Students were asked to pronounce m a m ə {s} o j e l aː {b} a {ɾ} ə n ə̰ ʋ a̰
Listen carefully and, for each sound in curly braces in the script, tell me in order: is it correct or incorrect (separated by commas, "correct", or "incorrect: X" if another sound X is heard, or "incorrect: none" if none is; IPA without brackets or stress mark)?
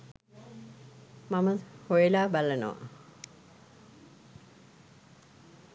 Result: incorrect: h, correct, incorrect: l